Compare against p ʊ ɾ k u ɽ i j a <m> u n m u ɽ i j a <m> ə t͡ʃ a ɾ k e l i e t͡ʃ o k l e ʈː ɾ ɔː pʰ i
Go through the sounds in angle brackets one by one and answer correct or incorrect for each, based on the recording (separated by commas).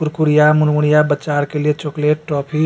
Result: correct, incorrect